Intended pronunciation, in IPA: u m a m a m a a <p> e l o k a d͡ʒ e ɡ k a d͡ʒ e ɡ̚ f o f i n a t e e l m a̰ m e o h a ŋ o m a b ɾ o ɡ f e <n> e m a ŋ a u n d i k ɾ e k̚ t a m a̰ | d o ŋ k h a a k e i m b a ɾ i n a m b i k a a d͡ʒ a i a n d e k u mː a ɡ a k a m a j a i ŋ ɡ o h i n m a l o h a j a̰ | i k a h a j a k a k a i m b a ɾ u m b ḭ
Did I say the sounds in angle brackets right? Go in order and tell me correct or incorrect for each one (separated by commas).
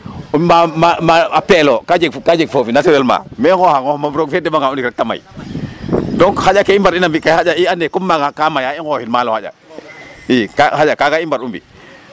correct, incorrect